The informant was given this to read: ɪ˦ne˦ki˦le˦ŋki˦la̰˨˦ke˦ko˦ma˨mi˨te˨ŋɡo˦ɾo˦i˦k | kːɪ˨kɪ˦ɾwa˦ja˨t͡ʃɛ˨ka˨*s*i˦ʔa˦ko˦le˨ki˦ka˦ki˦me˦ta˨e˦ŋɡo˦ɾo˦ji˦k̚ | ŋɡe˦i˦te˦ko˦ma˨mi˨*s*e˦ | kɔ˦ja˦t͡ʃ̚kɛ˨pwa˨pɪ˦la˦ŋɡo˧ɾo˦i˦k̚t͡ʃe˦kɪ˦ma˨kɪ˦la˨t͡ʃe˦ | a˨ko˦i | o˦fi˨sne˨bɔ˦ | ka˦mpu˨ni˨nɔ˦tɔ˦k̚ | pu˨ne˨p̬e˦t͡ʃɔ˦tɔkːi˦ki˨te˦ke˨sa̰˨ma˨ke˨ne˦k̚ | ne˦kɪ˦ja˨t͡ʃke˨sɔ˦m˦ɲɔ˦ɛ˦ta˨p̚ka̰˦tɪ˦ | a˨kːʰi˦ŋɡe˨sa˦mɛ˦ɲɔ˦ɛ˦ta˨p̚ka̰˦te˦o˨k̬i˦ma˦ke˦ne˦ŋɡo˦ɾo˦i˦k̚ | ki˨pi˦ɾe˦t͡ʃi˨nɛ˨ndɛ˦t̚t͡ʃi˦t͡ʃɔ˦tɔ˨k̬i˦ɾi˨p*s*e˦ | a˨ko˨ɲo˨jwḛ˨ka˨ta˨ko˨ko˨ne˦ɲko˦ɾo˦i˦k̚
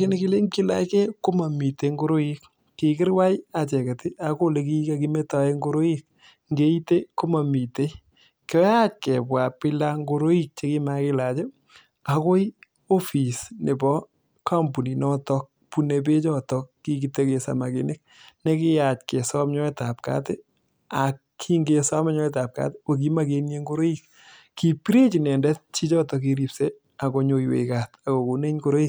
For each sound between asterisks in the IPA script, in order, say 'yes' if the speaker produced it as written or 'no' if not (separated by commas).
no, no, yes